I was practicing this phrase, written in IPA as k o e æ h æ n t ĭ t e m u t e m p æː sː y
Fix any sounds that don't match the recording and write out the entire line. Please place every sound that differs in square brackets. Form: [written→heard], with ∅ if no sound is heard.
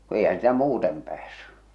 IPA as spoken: k [o→u] e [æ→i] h æ n [t→s] ĭ t [e→æ] m [u→uː] t e m p æː sː y